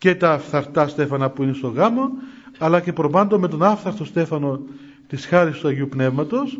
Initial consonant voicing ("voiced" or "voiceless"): voiceless